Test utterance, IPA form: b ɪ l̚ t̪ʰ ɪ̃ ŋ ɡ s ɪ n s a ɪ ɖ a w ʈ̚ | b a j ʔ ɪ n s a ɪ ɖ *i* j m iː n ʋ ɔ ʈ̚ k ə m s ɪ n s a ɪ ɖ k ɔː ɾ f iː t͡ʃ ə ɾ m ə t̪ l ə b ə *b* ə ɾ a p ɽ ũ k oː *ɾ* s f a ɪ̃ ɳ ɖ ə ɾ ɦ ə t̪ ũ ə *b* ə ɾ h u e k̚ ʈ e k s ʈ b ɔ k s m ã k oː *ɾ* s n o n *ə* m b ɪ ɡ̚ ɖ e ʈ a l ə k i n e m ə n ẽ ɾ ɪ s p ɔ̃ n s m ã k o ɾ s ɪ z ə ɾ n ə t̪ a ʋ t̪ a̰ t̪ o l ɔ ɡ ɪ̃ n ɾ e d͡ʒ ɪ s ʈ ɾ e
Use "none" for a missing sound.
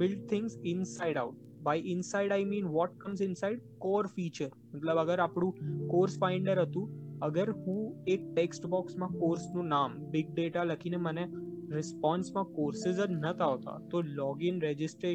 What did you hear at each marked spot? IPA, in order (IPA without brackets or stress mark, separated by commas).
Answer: a, ɡ, ɾ, ɡ, ɾ, a